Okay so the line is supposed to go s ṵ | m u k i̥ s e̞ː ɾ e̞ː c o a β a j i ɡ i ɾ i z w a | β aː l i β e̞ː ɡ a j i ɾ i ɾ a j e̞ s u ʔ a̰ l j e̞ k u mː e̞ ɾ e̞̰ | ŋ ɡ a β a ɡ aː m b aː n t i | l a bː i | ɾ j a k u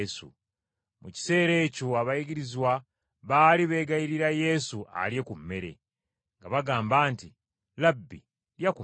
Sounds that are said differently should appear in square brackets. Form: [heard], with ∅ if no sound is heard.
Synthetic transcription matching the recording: s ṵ | m u [c] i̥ s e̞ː ɾ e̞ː c o a β a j i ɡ i ɾ i z w a | β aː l i β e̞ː ɡ a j i ɾ i ɾ a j e̞ s u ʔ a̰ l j e̞ k u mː e̞ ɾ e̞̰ | ŋ ɡ a β a ɡ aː m b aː n t i | l a bː i | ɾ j a k u